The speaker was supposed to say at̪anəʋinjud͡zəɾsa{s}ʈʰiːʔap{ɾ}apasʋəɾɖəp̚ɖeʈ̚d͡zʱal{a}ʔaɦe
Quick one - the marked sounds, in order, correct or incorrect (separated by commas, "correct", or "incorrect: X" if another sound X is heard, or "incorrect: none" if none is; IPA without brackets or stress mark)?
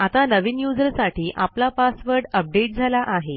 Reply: incorrect: none, incorrect: l, correct